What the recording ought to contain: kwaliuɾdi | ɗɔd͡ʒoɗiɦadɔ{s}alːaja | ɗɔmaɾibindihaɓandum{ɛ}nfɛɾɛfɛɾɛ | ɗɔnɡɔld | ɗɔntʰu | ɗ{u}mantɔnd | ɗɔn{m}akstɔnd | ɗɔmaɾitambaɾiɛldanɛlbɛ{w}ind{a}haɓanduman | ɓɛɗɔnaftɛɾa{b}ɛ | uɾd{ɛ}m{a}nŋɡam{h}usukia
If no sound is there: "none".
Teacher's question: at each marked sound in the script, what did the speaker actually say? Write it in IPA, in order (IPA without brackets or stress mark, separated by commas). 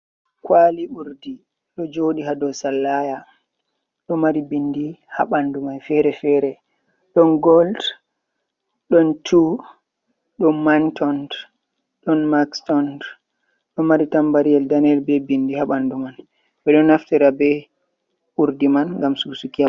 s, a, ɔ, m, b, i, b, i, a, s